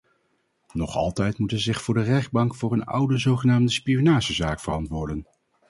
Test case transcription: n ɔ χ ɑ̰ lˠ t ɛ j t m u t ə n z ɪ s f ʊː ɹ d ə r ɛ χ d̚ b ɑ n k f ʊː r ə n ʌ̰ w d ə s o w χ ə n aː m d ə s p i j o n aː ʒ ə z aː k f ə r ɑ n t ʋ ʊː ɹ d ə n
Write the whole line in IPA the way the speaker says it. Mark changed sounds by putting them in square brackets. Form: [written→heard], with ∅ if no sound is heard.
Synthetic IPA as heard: n ɔ χ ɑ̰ lˠ t ɛ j t m u t ə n z ɪ [s→χ] f ʊː ɹ d ə r ɛ χ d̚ b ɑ [n→ŋ] k f ʊː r ə n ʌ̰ w d ə [s→z] o w χ ə n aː m d ə s p i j o n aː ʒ ə z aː k f ə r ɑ n t ʋ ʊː ɹ d ə n